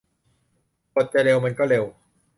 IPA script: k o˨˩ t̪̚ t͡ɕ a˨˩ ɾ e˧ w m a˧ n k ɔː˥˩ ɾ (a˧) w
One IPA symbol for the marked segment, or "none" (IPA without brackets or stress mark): e˧